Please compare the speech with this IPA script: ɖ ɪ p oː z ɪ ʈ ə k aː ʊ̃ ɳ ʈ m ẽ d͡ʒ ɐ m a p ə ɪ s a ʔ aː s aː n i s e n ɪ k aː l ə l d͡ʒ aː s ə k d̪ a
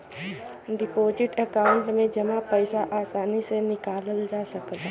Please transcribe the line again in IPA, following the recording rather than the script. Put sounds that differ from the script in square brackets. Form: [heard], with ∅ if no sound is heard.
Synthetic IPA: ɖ ɪ p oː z ɪ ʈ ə k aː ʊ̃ ɳ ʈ m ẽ d͡ʒ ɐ m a p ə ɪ s a ʔ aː s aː n i s e n ɪ k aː l ə l d͡ʒ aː s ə k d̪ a